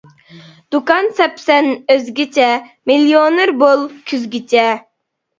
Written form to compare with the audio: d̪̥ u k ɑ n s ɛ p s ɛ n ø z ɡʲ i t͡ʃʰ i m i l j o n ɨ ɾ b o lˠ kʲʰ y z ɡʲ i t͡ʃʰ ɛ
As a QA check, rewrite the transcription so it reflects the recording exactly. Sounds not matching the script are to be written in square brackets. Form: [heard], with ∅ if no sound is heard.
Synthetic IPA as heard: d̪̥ u k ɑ n s ɛ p s ɛ n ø z ɡʲ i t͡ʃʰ [ɛ] m i l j o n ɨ ɾ b o lˠ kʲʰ y z ɡʲ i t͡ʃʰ ɛ